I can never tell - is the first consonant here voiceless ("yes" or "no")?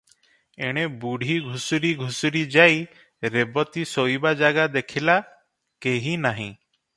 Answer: no